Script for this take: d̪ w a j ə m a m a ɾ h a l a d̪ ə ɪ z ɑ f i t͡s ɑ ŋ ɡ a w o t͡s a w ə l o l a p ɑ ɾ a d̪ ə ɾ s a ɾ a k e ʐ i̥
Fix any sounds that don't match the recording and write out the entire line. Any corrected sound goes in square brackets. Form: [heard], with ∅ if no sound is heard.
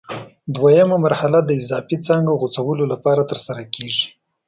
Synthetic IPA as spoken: d̪ w a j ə m a m a ɾ h a l a d̪ ə ɪ z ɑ f i t͡s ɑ ŋ ɡ a [ɣ] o t͡s a w ə l o l a p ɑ ɾ a [t̪] ə ɾ s a ɾ a k e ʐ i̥